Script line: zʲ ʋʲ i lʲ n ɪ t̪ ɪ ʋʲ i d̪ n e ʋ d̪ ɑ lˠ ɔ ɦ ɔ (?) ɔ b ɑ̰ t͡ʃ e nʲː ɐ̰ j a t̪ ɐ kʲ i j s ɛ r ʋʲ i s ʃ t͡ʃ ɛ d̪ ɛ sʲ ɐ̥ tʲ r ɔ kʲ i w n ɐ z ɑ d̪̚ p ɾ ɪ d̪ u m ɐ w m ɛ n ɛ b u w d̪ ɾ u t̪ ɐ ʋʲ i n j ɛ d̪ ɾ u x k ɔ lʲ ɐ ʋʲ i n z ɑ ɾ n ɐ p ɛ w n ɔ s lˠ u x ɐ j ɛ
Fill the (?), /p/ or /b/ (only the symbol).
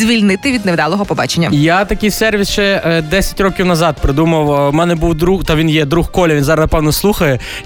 p